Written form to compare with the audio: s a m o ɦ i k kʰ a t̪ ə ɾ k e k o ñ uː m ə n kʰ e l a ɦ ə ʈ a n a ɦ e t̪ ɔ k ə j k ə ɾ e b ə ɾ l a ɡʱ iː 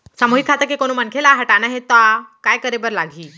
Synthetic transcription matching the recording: s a m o ɦ i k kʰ a t̪ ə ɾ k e k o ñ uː m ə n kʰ e l a ɦ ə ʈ a n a ɦ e t̪ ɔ k a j k ə ɾ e b ə ɾ l a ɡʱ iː